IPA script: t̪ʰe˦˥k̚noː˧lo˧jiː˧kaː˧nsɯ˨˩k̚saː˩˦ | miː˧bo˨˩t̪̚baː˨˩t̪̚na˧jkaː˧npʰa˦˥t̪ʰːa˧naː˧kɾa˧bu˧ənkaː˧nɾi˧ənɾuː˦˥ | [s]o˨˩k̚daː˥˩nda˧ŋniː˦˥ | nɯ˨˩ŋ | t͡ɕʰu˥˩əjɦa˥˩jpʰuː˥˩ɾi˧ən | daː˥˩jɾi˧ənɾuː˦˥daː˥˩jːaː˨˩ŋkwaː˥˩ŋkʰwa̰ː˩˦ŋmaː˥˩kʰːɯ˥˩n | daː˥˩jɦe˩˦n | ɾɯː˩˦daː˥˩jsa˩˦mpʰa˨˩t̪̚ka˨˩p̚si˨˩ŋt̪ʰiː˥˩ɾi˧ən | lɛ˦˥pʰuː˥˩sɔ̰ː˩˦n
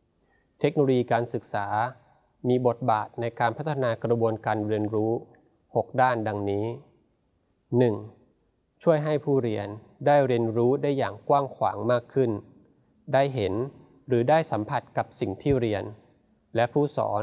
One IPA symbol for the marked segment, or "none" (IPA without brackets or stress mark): h